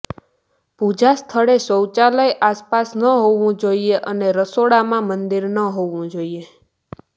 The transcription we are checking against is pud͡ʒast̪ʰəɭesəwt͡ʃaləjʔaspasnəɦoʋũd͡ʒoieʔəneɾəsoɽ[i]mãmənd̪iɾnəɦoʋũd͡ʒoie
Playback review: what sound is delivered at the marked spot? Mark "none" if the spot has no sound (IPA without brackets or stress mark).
a